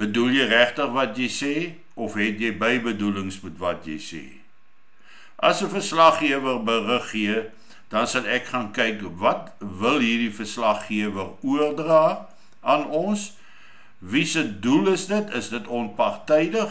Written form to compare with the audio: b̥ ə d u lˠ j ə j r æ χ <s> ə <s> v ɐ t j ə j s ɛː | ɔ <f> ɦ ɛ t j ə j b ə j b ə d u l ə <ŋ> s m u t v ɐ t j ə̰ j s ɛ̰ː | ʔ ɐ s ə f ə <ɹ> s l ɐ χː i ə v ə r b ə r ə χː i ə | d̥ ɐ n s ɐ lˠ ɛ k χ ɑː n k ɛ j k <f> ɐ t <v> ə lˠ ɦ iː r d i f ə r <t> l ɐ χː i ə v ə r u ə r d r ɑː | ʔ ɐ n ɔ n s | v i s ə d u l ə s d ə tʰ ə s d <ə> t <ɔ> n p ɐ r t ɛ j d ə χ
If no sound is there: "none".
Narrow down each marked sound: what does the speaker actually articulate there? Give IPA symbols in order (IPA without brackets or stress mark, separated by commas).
t, χ, f, ŋ, r, v, v, s, ə, ɔ